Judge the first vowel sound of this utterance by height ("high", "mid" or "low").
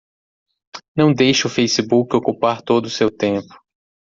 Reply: low